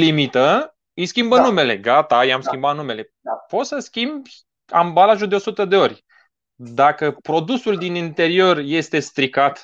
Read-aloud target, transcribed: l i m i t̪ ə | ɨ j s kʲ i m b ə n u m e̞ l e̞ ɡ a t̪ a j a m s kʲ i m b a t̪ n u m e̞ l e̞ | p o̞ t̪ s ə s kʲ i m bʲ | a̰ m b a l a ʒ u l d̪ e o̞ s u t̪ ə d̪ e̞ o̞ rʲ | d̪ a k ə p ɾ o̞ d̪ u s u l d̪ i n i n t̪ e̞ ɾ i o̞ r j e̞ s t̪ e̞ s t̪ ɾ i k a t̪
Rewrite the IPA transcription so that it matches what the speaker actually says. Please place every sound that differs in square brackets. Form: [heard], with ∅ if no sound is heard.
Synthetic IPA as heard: l i m i t̪ ə | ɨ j s kʲ i m b ə n u m e̞ l e̞ ɡ a t̪ a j a m s kʲ i m b a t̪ n u m e̞ l e̞ | p o̞ t̪ s ə s kʲ i m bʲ | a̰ m b a l a ʒ u l d̪ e o̞ s u t̪ ə d̪ e̞ o̞ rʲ | d̪ a k ə p ɾ o̞ d̪ u s u l d̪ i n i n t̪ e̞ ɾ i o̞ r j e̞ s t̪ e̞ s t̪ ɾ i k a t̪